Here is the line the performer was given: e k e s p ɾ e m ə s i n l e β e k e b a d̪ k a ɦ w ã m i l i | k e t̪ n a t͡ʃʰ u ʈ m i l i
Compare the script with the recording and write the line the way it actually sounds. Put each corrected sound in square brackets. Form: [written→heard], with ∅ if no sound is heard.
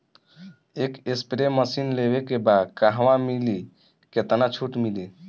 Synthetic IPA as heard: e k e s p ɾ e m ə s i n l e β e k e b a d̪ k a ɦ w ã m i l i | k e t̪ n a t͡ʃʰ u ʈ m i l i